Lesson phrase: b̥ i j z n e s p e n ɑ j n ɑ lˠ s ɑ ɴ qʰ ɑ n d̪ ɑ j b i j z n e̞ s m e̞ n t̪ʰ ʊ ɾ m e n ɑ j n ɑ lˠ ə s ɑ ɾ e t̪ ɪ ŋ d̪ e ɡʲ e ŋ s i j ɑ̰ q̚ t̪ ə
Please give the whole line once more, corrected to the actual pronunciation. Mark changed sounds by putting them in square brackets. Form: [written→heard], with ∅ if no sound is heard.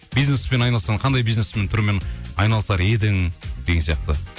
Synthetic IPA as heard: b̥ i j z n e s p e n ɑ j n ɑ lˠ s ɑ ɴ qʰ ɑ n d̪ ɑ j b i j z n e̞ s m e̞ n t̪ʰ ʊ ɾ m e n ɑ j n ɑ lˠ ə s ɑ ɾ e [t̪→d̪] ɪ ŋ d̪ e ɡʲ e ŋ s i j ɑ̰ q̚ t̪ ə